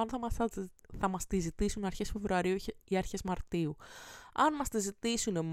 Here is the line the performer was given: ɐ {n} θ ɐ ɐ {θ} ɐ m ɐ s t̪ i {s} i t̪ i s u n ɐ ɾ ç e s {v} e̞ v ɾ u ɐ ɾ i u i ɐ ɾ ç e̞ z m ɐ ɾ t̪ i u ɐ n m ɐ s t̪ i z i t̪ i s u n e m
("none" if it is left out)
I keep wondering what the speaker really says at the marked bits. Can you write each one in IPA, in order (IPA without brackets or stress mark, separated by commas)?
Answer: n, θ, z, f